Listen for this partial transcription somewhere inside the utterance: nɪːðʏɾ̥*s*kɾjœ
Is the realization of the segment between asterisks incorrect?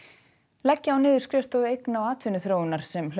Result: no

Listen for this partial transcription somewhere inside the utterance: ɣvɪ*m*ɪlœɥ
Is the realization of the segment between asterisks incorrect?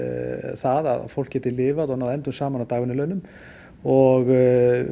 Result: yes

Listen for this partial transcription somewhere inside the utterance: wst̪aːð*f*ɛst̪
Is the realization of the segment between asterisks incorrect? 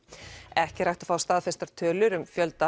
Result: no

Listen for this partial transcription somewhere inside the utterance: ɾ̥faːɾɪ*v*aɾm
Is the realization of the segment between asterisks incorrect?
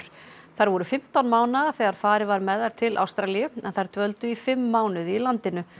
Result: no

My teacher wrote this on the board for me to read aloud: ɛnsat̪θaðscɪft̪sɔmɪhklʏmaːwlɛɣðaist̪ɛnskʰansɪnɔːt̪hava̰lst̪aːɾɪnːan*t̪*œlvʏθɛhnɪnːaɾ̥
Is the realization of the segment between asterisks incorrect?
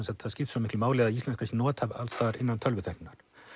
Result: yes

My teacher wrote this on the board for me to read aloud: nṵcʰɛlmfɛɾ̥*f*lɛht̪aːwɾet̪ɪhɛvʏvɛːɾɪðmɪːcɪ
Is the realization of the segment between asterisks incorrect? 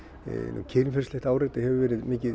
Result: yes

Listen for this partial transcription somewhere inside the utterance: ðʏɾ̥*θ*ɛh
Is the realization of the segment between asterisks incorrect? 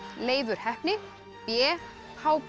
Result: yes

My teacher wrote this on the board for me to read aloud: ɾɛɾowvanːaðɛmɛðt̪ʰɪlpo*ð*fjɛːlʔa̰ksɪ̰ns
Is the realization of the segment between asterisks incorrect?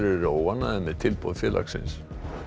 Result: no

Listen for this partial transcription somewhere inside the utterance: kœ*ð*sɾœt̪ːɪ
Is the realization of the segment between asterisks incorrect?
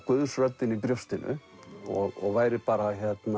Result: no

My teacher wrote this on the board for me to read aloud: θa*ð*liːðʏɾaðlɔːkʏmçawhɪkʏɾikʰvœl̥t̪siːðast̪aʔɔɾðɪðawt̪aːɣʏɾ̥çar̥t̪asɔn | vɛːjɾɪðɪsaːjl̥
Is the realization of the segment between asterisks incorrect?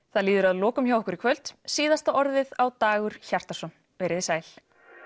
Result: no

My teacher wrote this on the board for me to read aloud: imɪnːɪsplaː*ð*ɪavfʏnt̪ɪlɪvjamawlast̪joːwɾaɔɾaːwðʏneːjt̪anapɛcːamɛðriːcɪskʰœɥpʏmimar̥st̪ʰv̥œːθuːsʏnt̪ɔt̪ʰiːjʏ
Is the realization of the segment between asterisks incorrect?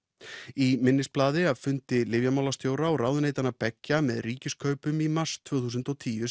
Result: no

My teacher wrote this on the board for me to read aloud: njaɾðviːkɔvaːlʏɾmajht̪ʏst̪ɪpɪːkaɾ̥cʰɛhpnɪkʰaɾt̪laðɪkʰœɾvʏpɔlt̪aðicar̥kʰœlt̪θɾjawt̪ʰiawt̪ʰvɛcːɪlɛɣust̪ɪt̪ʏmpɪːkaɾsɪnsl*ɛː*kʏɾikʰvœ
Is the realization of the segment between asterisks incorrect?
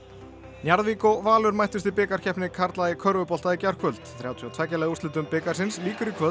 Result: yes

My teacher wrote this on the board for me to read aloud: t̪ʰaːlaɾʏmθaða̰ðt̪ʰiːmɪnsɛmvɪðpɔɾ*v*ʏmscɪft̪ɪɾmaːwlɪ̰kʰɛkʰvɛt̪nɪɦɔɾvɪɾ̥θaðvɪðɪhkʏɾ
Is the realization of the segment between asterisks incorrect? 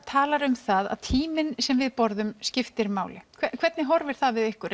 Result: yes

